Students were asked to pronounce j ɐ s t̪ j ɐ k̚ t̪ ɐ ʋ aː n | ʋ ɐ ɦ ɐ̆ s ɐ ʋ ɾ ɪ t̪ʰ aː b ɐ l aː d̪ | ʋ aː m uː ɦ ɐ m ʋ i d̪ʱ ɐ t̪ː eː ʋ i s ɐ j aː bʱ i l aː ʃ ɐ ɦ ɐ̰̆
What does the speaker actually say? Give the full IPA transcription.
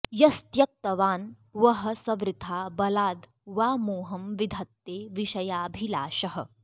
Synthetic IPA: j ɐ s t̪ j ɐ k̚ t̪ ɐ ʋ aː n | ʋ ɐ ɦ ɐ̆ s ɐ ʋ ɾ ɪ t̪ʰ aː b ɐ l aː d̪ | ʋ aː m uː ɦ ɐ m ʋ i d̪ʱ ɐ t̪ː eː ʋ i ʃ ɐ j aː bʱ i l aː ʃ ɐ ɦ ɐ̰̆